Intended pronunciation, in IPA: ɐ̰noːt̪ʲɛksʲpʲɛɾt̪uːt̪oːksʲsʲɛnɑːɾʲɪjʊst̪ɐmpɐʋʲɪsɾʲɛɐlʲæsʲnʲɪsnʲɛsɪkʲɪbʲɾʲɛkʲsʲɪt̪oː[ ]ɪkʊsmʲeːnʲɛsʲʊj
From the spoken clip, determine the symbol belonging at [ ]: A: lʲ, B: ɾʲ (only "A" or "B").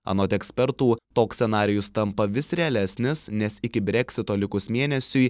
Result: A